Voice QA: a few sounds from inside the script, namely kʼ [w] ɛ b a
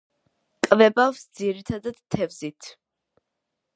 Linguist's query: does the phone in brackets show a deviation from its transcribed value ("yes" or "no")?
yes